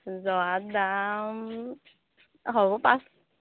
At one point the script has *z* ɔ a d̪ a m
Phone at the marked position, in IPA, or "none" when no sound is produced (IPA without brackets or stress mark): z